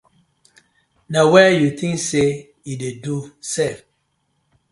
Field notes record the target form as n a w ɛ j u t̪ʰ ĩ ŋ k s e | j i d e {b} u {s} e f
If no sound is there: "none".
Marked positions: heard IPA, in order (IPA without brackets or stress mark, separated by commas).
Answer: d, s